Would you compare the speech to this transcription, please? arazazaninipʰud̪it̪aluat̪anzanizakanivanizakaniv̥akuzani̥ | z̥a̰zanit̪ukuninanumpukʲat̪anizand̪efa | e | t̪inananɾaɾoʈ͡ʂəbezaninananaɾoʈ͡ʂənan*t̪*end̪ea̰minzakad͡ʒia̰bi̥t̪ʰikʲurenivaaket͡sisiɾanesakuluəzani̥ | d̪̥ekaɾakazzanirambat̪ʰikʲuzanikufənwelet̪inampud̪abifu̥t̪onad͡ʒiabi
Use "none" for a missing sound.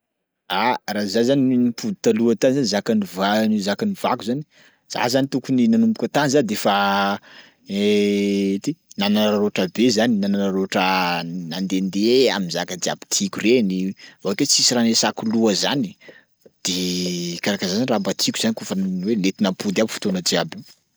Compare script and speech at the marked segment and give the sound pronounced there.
d̪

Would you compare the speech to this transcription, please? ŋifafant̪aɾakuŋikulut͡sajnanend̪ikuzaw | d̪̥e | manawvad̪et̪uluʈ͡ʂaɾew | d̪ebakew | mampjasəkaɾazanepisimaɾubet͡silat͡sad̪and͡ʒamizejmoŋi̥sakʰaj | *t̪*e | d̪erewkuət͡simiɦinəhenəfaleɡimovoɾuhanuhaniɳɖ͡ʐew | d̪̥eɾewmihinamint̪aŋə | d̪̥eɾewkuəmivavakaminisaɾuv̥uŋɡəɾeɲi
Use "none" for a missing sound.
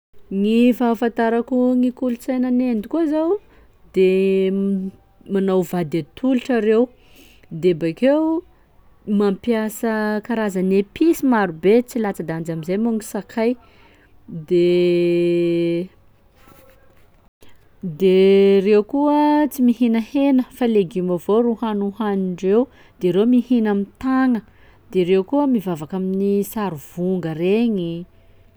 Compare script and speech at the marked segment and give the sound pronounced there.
d̪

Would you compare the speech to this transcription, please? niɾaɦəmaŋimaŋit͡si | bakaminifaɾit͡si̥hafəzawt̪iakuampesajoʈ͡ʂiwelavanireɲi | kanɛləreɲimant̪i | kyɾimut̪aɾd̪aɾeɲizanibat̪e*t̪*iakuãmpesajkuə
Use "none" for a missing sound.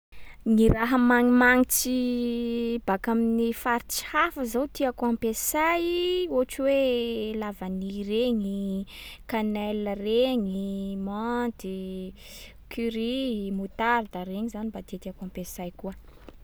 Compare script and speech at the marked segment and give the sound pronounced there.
t̪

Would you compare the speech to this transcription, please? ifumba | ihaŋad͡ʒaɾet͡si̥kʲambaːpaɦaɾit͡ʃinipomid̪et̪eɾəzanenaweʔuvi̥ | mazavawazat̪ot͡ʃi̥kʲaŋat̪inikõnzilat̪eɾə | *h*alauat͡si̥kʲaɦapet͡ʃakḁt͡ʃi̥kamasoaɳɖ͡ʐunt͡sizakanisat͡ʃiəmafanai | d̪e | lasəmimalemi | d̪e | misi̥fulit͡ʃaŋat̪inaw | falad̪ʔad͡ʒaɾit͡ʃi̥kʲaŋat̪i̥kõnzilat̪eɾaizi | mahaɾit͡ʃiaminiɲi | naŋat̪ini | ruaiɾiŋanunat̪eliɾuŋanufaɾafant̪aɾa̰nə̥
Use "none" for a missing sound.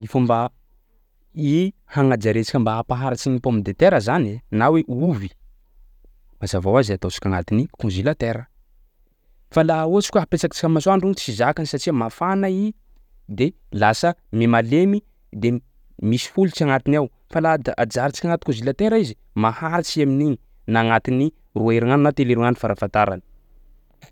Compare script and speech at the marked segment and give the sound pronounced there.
f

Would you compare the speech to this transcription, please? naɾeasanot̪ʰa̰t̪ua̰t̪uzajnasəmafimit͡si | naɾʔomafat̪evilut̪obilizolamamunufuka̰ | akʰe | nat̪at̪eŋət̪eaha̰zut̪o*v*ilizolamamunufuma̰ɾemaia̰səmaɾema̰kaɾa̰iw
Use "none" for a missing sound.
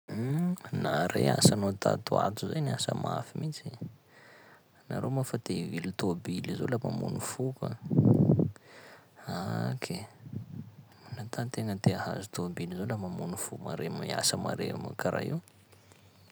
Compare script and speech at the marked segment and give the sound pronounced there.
b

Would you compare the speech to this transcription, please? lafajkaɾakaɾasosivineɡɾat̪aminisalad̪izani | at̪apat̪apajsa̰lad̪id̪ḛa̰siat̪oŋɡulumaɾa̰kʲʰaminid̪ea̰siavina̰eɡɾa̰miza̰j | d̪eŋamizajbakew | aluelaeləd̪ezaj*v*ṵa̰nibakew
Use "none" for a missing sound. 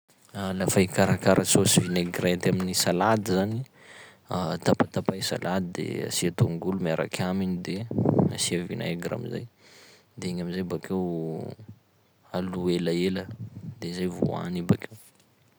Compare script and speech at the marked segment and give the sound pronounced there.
v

